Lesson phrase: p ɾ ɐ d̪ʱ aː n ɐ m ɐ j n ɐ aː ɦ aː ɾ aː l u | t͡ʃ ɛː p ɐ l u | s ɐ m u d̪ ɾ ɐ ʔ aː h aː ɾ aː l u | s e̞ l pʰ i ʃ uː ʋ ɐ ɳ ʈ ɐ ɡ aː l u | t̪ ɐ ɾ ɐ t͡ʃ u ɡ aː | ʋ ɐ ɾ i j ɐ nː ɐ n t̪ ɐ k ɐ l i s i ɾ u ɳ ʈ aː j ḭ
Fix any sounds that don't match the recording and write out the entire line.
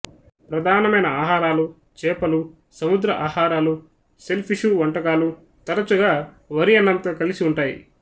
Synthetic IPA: p ɾ ɐ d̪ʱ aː n ɐ m ɐ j n ɐ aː ɦ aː ɾ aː l u | t͡ʃ ɛː p ɐ l u | s ɐ m u d̪ ɾ ɐ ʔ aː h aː ɾ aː l u | s e̞ l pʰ i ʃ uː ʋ ɐ ɳ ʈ ɐ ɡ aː l u | t̪ ɐ ɾ ɐ t͡ʃ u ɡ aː | ʋ ɐ ɾ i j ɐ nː ɐ n t̪ ɐ k ɐ l i s i u ɳ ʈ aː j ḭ